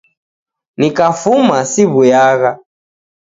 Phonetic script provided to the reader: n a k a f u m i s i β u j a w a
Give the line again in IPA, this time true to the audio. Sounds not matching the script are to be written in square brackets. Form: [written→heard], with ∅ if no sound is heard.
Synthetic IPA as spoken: n [a→i] k a f u m [i→a] s i β u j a [w→ɣ] a